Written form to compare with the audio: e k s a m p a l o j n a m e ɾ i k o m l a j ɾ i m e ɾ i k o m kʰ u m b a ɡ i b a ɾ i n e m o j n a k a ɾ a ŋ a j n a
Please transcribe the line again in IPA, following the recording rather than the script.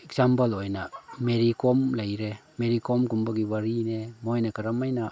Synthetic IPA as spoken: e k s a m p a l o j n a m e ɾ i k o m l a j ɾ e m e ɾ i k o m k u m b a ɡ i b a ɾ i n e m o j n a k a ɾ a m a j n a